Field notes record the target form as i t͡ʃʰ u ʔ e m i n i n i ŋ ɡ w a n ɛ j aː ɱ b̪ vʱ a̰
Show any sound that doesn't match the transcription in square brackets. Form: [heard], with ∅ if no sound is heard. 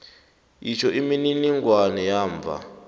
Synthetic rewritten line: i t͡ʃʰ [ɔ] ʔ [i] m i n i n i ŋ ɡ w a n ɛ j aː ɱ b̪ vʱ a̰